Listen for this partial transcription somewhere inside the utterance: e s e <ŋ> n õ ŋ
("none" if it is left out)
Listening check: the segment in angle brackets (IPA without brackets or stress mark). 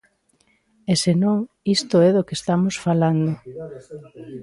none